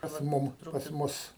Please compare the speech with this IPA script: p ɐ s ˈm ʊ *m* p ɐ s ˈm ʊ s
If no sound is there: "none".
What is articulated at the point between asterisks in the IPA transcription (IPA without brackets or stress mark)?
m